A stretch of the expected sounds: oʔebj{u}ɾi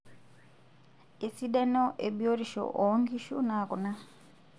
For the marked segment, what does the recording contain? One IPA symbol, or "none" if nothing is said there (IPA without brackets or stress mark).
o